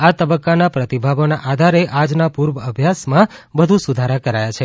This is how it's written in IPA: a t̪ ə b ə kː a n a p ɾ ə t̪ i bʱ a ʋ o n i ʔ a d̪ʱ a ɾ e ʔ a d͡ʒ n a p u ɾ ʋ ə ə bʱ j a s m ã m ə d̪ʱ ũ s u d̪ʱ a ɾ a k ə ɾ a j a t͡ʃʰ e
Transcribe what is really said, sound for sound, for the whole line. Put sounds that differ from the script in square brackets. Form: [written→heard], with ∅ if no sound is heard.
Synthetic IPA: a t̪ ə b ə kː a n a p ɾ ə t̪ i bʱ a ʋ o n [i→a] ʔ a d̪ʱ a ɾ e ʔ a d͡ʒ n a p u ɾ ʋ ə ə bʱ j a s m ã [m→b] ə d̪ʱ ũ s u d̪ʱ a ɾ a k ə ɾ a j a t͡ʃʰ e